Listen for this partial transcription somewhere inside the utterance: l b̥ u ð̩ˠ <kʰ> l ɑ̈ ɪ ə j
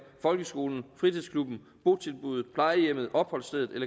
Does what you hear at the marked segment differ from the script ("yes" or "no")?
yes